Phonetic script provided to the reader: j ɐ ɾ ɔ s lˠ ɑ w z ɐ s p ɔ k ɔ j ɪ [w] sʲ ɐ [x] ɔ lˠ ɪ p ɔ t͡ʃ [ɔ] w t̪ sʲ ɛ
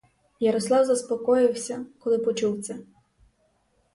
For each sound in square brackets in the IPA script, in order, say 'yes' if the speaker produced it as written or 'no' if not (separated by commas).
yes, no, no